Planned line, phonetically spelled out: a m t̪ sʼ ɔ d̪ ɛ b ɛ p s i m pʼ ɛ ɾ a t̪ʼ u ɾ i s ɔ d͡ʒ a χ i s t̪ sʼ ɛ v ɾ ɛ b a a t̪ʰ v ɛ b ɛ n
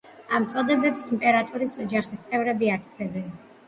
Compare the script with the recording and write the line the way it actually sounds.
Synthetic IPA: a m t̪ sʼ ɔ d̪ ɛ b ɛ p s i m pʼ ɛ ɾ a t̪ʼ u ɾ i s ɔ d͡ʒ a χ i s t̪ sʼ ɛ v ɾ ɛ b i a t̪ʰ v ɛ b ɛ n